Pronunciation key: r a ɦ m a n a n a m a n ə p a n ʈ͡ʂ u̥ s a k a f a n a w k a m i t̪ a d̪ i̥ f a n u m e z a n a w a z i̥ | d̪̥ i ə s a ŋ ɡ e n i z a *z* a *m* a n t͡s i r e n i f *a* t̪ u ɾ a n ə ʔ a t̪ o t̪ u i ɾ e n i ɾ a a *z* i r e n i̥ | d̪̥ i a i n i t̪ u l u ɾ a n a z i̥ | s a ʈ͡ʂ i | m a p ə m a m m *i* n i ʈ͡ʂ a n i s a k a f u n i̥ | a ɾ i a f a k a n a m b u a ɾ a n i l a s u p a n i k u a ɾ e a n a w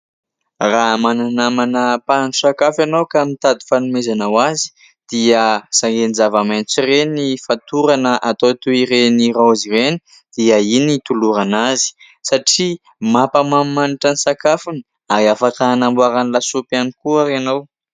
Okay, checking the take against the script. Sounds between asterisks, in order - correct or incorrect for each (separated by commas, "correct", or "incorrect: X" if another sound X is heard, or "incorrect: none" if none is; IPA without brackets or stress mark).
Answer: incorrect: v, correct, correct, correct, incorrect: a